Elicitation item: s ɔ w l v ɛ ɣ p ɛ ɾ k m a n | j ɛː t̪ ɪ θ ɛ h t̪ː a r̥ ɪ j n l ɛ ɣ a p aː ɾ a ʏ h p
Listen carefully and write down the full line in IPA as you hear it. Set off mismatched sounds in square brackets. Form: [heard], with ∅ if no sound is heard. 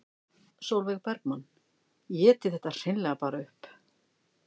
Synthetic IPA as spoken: s [o] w l v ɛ ɣ p ɛ ɾ k m a n | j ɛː t̪ ɪ θ ɛ h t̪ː a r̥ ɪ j n l ɛ ɣ a p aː ɾ a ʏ h p